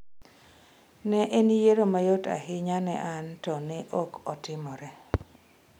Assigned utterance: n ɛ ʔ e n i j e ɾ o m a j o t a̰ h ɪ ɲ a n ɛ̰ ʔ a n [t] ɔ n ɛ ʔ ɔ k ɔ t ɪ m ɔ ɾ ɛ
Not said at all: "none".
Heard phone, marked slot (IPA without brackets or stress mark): t